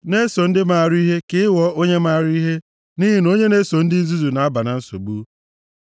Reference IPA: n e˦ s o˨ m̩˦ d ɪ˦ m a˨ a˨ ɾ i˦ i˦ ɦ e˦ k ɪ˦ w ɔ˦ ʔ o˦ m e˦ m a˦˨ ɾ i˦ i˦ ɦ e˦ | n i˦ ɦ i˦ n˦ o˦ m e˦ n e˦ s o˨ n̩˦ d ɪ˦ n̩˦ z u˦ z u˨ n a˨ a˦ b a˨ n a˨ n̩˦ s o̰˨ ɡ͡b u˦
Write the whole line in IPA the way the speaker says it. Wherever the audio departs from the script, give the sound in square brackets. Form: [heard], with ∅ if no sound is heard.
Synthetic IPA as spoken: n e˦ s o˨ [n̩˦] d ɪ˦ m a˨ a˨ ɾ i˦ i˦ ɦ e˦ k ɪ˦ w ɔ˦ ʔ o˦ [ɲ] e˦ m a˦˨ ɾ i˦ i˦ ɦ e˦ | n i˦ ɦ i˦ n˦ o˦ [ɲ] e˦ n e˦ s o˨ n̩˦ d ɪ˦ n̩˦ z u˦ z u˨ n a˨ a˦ b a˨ n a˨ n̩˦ s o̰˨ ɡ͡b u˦